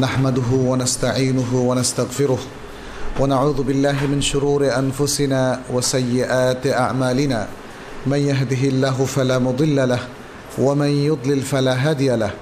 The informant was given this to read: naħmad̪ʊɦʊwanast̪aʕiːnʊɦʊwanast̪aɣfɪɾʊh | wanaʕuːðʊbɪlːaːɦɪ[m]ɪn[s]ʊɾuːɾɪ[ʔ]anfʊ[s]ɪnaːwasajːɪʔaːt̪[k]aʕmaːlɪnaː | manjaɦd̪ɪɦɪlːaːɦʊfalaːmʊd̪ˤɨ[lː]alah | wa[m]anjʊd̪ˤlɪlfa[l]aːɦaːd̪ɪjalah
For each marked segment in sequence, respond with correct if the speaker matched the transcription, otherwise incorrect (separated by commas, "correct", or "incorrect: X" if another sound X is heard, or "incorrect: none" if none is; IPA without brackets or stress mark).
correct, incorrect: ʃ, correct, correct, incorrect: ʔ, correct, correct, correct